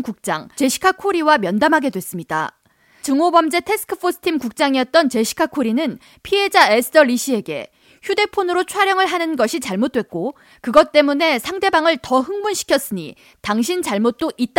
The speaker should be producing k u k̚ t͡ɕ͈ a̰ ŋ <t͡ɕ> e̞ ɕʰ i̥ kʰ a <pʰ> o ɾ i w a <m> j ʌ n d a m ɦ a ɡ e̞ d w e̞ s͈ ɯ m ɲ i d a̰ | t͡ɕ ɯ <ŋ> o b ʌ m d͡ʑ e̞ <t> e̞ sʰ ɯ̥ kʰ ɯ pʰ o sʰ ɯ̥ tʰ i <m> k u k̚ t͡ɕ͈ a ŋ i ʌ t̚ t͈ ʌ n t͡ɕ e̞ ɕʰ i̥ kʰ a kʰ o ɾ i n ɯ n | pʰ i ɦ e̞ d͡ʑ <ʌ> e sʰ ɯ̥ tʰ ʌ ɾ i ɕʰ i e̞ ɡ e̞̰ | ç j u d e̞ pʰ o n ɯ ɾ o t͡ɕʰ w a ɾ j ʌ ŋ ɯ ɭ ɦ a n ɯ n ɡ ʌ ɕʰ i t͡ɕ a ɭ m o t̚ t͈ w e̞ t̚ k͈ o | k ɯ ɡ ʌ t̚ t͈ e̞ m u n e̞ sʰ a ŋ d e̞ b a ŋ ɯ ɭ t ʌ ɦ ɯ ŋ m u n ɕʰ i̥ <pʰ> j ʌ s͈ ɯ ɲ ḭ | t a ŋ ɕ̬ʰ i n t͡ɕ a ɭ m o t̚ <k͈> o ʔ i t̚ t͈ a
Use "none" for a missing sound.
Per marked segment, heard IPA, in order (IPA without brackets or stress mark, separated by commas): t͡ɕ, kʰ, m, ŋ, tʰ, m, a, kʰ, t͈